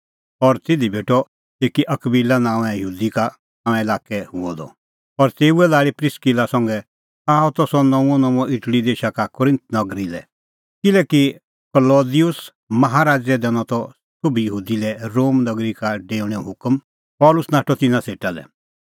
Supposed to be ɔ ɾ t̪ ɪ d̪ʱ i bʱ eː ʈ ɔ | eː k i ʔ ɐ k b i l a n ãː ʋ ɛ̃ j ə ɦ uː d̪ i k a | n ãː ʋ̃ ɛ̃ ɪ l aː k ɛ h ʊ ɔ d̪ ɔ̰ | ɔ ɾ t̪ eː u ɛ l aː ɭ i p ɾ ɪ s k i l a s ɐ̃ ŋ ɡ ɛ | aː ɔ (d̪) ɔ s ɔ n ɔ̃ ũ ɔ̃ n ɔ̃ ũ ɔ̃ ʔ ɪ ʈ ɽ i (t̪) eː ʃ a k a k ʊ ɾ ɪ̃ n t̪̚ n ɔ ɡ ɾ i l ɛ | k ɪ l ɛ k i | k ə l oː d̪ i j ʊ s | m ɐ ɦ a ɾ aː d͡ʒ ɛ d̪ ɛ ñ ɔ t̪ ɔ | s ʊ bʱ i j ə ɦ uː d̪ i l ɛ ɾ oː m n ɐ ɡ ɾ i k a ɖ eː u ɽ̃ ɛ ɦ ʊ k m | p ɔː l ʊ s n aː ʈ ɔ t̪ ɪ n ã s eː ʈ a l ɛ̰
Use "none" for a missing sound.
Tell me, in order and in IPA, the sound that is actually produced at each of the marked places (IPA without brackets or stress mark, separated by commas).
t̪, d̪